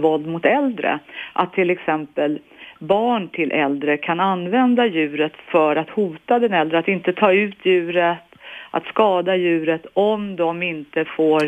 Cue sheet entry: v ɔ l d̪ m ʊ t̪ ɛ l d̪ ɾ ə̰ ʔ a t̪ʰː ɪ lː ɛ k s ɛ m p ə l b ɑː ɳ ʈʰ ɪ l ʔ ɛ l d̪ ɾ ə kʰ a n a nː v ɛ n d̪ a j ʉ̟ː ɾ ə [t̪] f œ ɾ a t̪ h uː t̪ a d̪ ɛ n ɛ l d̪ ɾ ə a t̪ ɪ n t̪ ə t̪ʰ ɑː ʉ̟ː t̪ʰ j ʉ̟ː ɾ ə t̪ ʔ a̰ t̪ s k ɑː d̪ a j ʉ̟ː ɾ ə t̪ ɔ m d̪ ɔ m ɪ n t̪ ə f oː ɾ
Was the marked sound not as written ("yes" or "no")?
no